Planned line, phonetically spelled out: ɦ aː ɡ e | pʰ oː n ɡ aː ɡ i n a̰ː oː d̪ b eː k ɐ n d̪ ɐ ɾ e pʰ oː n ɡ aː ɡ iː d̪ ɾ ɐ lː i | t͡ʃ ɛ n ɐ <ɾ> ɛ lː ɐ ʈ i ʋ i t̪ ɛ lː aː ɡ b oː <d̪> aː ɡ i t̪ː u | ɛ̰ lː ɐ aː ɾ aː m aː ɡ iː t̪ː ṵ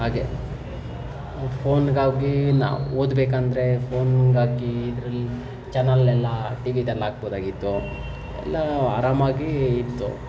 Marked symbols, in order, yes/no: no, yes

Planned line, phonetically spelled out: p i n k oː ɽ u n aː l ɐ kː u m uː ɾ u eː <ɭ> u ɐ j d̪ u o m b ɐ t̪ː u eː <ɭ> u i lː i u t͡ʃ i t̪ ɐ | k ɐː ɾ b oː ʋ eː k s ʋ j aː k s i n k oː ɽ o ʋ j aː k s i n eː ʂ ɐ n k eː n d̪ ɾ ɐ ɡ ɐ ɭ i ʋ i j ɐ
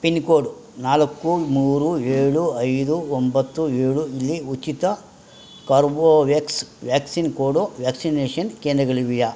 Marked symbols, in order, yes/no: yes, yes

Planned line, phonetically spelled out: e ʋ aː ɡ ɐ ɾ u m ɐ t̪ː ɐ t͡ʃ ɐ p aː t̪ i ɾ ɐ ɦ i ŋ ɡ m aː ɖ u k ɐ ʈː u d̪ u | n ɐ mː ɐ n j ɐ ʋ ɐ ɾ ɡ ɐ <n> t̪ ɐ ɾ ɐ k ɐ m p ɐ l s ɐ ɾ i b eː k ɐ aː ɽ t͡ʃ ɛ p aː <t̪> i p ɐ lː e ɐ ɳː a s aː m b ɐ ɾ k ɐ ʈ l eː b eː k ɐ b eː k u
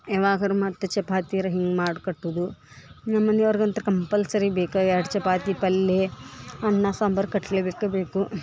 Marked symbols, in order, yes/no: yes, yes

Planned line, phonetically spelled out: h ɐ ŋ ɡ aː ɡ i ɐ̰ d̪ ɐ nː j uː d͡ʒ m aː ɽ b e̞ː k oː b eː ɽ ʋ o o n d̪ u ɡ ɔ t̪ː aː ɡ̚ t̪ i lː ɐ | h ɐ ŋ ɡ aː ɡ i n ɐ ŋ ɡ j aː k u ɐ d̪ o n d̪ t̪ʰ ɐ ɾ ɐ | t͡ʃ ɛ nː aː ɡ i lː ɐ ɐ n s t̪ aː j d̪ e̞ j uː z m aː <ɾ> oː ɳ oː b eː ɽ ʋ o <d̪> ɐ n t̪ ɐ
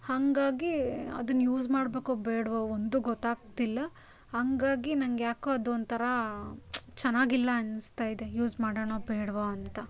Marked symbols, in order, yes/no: no, no

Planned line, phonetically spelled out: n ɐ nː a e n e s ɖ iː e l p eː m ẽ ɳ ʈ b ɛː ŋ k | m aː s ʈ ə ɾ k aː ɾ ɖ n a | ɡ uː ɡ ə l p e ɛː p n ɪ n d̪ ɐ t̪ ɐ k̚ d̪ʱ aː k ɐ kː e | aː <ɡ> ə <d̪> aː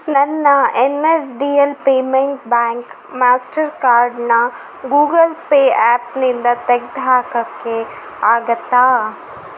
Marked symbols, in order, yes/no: yes, no

